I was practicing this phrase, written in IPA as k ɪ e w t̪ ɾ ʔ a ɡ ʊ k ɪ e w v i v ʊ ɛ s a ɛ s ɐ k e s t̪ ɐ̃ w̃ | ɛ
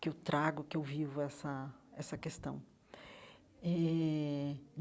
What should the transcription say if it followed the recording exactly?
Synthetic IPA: k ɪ e w t̪ ɾ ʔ a ɡ ʊ k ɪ e w v i v ʊ ɛ s ɐ ɛ s ɐ k e s t̪ ɐ̃ w̃ | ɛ